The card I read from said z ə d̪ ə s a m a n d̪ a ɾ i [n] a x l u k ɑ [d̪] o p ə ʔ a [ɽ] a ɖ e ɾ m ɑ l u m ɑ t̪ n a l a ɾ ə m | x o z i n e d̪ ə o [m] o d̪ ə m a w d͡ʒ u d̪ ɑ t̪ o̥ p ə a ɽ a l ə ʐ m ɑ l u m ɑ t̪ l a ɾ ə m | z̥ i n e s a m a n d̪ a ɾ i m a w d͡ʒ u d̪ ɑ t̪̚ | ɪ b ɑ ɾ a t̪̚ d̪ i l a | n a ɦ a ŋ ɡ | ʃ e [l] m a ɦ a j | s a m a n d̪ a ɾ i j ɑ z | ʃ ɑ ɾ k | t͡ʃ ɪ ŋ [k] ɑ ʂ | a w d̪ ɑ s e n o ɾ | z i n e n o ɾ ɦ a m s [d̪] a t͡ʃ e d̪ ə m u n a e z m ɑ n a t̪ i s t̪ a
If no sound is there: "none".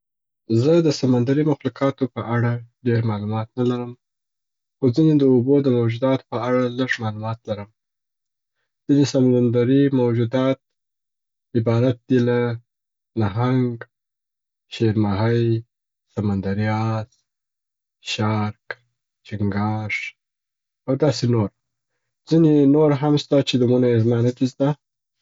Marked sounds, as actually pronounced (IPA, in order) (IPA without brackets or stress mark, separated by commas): m, t̪, ɽ, b, ɾ, ɡ, t̪